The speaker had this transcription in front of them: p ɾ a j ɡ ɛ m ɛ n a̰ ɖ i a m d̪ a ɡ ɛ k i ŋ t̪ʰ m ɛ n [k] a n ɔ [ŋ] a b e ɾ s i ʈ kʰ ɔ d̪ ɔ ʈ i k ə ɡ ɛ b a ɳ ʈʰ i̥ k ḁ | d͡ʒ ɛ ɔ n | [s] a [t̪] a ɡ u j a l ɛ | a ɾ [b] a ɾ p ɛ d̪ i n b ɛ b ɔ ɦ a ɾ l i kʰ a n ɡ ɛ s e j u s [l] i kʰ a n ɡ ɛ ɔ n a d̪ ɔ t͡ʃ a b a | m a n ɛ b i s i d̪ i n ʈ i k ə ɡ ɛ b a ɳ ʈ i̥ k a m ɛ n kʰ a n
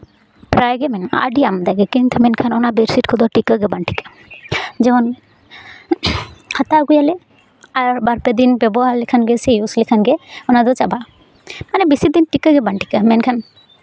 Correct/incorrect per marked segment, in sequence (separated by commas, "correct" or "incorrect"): incorrect, incorrect, incorrect, correct, correct, correct